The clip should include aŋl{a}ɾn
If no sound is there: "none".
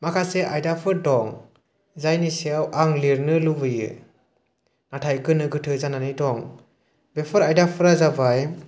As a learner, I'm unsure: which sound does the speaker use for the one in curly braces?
i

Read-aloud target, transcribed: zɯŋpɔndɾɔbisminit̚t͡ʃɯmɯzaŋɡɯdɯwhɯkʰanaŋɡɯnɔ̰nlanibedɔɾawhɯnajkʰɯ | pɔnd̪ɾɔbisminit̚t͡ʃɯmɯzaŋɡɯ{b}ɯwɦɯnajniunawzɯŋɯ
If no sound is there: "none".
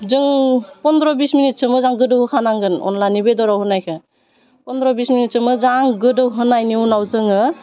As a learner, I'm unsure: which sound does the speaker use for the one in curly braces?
d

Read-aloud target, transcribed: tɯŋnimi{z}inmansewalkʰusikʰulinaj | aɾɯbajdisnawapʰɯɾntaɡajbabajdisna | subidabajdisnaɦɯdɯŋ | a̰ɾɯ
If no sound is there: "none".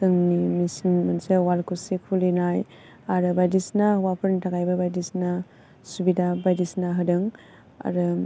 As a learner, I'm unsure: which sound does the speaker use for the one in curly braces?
s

